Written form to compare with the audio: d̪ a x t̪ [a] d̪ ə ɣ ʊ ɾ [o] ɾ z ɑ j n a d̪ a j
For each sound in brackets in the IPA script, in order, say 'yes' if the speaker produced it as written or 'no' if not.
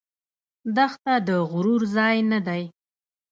yes, no

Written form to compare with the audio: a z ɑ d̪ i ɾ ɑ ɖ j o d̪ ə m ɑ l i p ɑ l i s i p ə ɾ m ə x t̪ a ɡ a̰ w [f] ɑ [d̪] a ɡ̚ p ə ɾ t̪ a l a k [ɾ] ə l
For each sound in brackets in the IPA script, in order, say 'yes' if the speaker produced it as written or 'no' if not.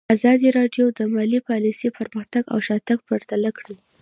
no, no, no

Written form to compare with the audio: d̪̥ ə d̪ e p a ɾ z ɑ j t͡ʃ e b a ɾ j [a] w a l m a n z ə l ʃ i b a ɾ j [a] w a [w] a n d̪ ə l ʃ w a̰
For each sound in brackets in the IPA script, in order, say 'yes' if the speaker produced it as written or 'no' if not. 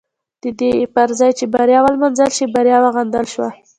no, no, no

